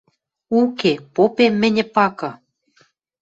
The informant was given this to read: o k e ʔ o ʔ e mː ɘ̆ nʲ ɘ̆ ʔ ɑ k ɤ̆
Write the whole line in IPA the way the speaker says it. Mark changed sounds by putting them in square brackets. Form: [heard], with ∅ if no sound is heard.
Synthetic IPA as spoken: [u] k e [p] o [p] e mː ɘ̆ nʲ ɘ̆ [p] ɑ k ɤ̆